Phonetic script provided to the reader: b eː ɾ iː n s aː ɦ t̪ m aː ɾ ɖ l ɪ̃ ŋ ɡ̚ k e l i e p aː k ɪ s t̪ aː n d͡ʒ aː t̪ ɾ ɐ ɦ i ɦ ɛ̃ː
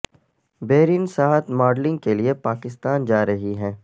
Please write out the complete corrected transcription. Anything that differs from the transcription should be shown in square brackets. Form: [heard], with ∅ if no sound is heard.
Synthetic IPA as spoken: b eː ɾ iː n s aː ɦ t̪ m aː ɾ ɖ l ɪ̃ ŋ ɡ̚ k e l i e p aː k ɪ s t̪ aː n d͡ʒ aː [∅] ɾ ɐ ɦ i ɦ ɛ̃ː